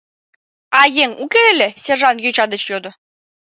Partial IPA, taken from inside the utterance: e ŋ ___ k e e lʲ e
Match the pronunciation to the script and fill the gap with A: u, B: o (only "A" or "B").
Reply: A